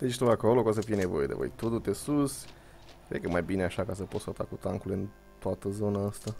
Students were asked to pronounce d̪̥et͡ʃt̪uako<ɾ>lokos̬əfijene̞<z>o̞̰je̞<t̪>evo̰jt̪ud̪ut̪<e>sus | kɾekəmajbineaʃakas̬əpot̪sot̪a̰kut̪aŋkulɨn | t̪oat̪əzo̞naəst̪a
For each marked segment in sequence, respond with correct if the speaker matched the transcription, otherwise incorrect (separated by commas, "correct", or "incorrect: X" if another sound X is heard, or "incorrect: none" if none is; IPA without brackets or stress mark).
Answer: incorrect: none, incorrect: v, incorrect: d̪, correct